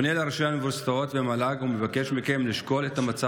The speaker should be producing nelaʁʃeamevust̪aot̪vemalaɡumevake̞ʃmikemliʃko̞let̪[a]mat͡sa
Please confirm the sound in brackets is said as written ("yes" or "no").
yes